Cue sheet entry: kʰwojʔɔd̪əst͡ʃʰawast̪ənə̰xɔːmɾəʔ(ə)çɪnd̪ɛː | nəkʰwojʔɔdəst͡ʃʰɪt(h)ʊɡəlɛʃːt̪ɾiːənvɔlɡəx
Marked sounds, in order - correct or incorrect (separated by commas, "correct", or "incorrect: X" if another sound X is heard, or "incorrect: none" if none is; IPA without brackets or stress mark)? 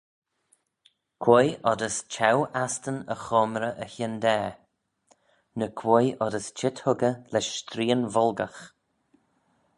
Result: correct, correct